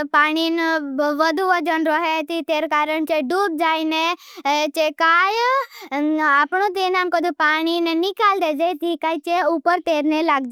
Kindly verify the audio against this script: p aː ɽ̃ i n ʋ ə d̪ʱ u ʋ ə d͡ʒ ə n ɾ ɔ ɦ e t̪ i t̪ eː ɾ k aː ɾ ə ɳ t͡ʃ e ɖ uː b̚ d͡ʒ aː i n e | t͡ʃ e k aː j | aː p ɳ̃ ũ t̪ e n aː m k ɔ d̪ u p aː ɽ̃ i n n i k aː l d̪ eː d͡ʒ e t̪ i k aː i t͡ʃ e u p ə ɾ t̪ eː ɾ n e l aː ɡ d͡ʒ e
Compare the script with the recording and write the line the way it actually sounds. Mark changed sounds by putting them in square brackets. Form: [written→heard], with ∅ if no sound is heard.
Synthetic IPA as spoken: p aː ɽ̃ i n ʋ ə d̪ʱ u ʋ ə d͡ʒ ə n ɾ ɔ ɦ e t̪ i t̪ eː ɾ k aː ɾ ə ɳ t͡ʃ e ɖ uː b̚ d͡ʒ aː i n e | t͡ʃ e k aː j | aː p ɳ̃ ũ t̪ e n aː m k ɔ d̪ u p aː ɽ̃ i n n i k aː l d̪ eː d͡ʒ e t̪ i k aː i t͡ʃ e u p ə ɾ t̪ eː ɾ n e l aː ɡ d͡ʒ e

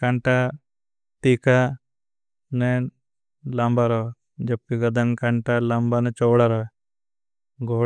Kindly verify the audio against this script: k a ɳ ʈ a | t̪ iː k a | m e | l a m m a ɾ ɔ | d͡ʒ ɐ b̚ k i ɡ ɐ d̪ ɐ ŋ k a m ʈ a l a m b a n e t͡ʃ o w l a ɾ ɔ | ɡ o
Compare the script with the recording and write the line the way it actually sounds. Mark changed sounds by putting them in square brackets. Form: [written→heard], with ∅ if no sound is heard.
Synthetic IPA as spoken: k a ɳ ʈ a | t̪ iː k a | [m→n] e | l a m [m→b] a ɾ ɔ | d͡ʒ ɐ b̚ k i ɡ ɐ d̪ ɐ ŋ k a [m→ɳ] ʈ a l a m b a n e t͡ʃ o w [l→ɽ] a ɾ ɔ | ɡ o

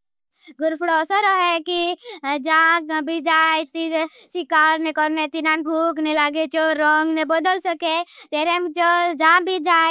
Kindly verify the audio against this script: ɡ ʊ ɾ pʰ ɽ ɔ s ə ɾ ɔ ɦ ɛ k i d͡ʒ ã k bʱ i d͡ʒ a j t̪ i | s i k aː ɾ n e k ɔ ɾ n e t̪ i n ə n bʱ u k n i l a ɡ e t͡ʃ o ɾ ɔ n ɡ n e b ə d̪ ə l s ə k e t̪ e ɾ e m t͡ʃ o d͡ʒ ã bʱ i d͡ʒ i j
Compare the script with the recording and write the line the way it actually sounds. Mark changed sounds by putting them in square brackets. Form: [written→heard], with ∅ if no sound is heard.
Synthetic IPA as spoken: ɡ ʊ ɾ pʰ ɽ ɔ s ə ɾ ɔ ɦ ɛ k i d͡ʒ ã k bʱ i d͡ʒ a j t̪ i | s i k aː ɾ n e k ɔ ɾ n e t̪ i n [ə→a] n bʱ u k n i l a ɡ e t͡ʃ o ɾ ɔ [n→ŋ] ɡ n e b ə d̪ ə l s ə k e t̪ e ɾ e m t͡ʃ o d͡ʒ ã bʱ i d͡ʒ [i→a] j

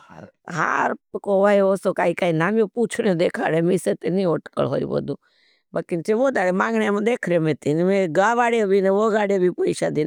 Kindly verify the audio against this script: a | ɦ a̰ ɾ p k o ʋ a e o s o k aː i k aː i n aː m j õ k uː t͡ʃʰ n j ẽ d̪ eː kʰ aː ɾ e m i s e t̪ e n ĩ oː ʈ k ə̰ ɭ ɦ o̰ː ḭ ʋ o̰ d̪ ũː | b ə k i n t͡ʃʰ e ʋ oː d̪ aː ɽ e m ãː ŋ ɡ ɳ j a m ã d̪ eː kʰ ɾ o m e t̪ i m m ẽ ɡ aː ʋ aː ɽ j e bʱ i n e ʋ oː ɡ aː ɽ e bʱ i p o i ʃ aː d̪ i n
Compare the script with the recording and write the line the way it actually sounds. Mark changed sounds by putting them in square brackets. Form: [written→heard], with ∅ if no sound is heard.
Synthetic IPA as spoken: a | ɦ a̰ ɾ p k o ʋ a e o s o k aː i k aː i n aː m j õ [k→p] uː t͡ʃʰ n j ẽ d̪ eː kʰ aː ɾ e m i s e t̪ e n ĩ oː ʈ k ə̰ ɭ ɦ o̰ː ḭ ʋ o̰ d̪ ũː | b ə k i n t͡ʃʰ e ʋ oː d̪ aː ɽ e m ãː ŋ ɡ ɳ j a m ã d̪ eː kʰ ɾ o m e t̪ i [m→n] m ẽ ɡ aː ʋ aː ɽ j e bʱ i n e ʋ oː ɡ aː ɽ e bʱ i p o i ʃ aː d̪ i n

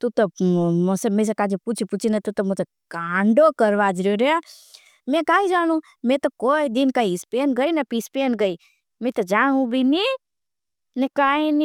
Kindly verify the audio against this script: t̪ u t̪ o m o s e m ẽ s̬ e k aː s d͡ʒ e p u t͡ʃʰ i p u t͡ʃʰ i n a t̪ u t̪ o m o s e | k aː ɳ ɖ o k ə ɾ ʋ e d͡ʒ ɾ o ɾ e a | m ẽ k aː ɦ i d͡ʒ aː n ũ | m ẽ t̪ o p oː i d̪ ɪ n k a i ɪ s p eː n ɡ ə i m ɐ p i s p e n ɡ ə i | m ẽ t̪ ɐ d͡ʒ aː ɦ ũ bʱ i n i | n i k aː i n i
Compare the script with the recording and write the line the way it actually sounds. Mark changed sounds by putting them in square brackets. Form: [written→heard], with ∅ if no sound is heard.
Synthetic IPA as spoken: t̪ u t̪ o m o s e m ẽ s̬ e k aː [s→∅] d͡ʒ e p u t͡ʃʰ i p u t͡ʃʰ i n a t̪ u t̪ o m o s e | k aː ɳ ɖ o k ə ɾ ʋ [e→a] d͡ʒ ɾ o ɾ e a | m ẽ k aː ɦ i d͡ʒ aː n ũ | m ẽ t̪ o [p→k] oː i d̪ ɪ n k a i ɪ s p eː n ɡ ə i [m→n] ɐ p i s p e n ɡ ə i | m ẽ t̪ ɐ d͡ʒ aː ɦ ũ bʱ i n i | n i k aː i n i

